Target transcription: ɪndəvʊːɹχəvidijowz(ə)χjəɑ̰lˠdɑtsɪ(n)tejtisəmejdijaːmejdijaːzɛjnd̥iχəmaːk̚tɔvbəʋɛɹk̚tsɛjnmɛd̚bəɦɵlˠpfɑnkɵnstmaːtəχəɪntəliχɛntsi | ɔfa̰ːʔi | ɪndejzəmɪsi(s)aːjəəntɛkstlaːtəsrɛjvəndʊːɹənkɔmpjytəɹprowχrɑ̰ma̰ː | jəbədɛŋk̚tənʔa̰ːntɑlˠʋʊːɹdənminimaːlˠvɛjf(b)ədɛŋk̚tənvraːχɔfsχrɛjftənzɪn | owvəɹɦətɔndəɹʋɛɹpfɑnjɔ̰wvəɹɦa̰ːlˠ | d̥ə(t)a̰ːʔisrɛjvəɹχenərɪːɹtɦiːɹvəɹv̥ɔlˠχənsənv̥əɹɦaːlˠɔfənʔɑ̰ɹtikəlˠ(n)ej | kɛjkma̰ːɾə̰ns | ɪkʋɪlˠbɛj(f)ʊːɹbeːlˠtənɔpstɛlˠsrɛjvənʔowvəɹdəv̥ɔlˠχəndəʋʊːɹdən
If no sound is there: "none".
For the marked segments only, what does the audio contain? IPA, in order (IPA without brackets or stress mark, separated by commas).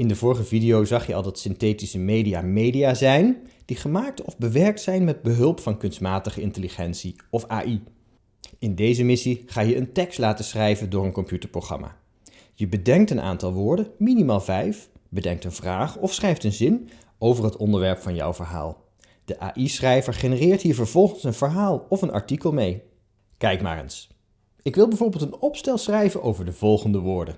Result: ɑ, n, χ, b, ʔ, m, v